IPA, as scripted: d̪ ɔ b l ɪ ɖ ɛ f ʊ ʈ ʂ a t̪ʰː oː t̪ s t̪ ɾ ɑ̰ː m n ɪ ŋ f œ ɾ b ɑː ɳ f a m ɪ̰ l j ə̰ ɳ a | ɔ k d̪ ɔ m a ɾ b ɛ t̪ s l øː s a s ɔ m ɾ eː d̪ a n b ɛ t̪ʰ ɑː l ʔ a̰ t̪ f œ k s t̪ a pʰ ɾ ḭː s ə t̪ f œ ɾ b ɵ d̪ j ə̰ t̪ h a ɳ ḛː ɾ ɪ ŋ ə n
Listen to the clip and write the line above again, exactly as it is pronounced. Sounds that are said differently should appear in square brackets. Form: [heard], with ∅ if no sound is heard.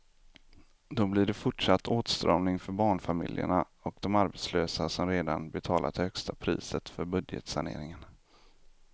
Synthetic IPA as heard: d̪ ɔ b l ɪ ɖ ɛ f ʊ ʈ ʂ a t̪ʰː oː t̪ s t̪ ɾ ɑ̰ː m n ɪ ŋ f œ ɾ b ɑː ɳ f a m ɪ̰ l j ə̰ ɳ a | ɔ k d̪ ɔ m a ɾ b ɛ t̪ s l øː s a s ɔ m ɾ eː d̪ a n b ɛ t̪ʰ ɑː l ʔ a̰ t̪ [h] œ k s t̪ a pʰ ɾ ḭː s ə t̪ f œ ɾ b ɵ d̪ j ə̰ t̪ [s] a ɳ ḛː ɾ ɪ ŋ ə n